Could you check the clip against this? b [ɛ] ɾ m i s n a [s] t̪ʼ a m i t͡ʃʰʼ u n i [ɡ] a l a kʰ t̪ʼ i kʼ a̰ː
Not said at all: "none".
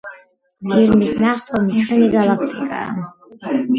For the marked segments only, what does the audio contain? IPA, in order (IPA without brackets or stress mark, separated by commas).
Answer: i, χ, ɡ